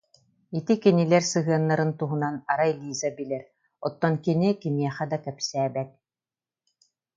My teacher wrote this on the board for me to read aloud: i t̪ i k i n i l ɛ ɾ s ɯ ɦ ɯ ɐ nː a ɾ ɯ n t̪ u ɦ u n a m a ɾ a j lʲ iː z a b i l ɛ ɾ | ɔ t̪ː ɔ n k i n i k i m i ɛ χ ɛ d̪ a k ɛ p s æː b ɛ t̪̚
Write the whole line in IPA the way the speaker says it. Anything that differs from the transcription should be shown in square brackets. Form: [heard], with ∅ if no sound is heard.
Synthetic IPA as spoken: i t̪ i k i n i l ɛ ɾ s ɯ ɦ ɯ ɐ nː a ɾ ɯ n t̪ u ɦ u n a [n] a ɾ a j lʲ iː z a b i l ɛ ɾ | ɔ t̪ː ɔ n k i n i k i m i ɛ χ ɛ d̪ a k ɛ p s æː b ɛ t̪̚

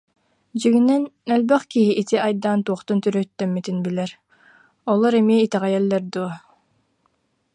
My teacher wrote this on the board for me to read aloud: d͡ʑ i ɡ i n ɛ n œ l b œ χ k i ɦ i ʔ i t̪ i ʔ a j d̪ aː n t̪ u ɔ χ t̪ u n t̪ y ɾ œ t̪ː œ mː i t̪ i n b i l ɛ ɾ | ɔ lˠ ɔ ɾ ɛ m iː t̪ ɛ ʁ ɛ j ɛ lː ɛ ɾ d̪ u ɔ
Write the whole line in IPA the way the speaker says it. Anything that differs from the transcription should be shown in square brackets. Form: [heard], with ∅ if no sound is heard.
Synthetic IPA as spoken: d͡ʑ i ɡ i n ɛ n œ l b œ χ k i ɦ i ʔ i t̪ i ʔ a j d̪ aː n t̪ u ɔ χ t̪ u n t̪ y ɾ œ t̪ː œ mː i t̪ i n b i l ɛ ɾ | ɔ lˠ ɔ ɾ ɛ m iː t̪ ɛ ʁ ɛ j ɛ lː ɛ ɾ d̪ u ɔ

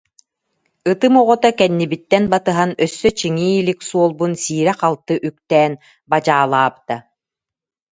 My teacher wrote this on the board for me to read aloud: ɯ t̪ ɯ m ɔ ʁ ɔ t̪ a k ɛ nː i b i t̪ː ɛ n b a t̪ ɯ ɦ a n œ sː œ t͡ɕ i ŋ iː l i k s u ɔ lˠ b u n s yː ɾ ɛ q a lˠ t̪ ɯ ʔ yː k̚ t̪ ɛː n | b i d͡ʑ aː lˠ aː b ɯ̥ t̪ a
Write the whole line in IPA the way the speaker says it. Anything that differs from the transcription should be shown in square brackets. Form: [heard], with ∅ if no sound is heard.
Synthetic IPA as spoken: ɯ t̪ ɯ m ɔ ʁ ɔ t̪ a k ɛ nː i b i t̪ː ɛ n b a t̪ ɯ ɦ a n œ sː œ t͡ɕ i ŋ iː l i k s u ɔ lˠ b u n s [iː] ɾ ɛ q a lˠ t̪ ɯ ʔ [y] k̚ t̪ ɛː n | b [a] d͡ʑ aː lˠ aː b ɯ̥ t̪ a

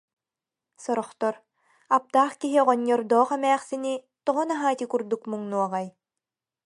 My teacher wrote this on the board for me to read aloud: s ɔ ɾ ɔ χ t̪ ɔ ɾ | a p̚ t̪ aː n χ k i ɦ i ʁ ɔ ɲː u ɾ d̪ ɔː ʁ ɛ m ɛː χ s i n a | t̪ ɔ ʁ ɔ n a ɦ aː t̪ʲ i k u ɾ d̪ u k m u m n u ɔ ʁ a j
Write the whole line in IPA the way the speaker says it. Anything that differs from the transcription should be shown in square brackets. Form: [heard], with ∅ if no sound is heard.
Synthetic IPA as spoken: s ɔ ɾ ɔ χ t̪ ɔ ɾ | a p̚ t̪ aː [∅] χ k i ɦ i ʁ ɔ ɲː [ɔ] ɾ d̪ ɔː [χ] ɛ m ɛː χ s i n [i] | t̪ ɔ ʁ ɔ n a ɦ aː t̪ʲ i k u ɾ d̪ u k m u [ŋ] n u ɔ ʁ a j

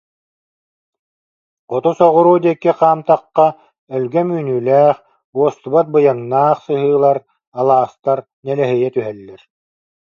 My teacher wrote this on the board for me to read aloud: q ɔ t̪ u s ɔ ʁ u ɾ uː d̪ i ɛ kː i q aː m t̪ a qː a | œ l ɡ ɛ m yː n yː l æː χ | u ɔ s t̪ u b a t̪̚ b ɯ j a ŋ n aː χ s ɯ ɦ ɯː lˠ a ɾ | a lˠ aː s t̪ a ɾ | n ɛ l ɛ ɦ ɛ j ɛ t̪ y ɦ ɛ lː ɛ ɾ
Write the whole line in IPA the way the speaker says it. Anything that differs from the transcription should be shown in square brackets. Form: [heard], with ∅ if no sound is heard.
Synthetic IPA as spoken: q ɔ t̪ u s ɔ ʁ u ɾ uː d̪ i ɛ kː i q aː m t̪ a qː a | œ l ɡ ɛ m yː n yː l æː χ | u ɔ s t̪ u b a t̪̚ b ɯ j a ŋ n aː χ s ɯ ɦ ɯː lˠ a ɾ | a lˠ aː s t̪ a ɾ | n ɛ l ɛ ɦ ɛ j ɛ t̪ y ɦ ɛ lː ɛ ɾ

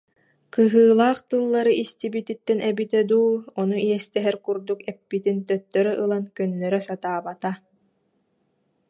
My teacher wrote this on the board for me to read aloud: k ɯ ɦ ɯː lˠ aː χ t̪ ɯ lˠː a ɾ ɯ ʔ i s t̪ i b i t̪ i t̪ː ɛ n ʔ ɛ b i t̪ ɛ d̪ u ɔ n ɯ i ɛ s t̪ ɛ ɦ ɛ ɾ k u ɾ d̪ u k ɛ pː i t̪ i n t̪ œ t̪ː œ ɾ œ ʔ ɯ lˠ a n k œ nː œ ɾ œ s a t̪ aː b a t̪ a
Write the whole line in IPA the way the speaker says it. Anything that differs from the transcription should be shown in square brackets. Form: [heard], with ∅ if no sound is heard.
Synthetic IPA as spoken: k ɯ ɦ ɯː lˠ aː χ t̪ ɯ lˠː a ɾ ɯ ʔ i s t̪ i b i t̪ i t̪ː ɛ n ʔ ɛ b i t̪ ɛ d̪ [uː] ɔ n [u] i ɛ s t̪ ɛ ɦ ɛ ɾ k u ɾ d̪ u k ɛ pː i t̪ i n t̪ œ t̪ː œ ɾ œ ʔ ɯ lˠ a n k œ nː œ ɾ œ s a t̪ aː b a t̪ a

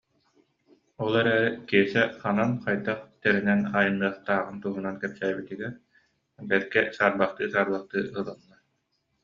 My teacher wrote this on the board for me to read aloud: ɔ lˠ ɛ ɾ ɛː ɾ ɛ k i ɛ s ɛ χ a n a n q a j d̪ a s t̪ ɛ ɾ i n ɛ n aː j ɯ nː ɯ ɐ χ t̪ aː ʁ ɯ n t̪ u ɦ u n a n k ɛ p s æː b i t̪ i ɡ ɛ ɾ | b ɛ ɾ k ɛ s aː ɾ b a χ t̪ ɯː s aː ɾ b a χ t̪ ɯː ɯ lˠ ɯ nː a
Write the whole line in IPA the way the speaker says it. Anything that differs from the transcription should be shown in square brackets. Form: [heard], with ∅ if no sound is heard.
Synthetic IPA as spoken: ɔ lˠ ɛ ɾ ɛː ɾ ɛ k i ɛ s ɛ χ a n a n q a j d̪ a [χ] t̪ ɛ ɾ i n ɛ n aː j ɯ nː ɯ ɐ χ t̪ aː ʁ ɯ n t̪ u ɦ u n a n k ɛ p s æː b i t̪ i ɡ ɛ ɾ | b ɛ ɾ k ɛ s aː ɾ b a χ t̪ ɯː s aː ɾ b a χ t̪ ɯː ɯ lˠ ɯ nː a

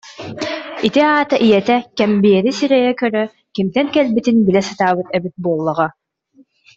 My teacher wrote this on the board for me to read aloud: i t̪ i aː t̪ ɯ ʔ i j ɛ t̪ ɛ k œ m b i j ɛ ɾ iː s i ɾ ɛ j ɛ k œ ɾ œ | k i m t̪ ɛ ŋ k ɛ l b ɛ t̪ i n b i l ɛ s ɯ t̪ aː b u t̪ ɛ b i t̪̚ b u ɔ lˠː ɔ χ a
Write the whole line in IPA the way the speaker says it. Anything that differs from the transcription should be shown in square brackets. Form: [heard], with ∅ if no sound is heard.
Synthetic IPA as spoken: i t̪ i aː t̪ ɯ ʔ i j ɛ t̪ ɛ k [ɛ] m b i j ɛ ɾ [i] s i ɾ ɛ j ɛ k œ ɾ œ | k i m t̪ ɛ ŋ k ɛ l b [i] t̪ i n b i l ɛ s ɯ t̪ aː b [ɯ] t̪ ɛ b i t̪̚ b u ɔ lˠː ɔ [ʁ] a

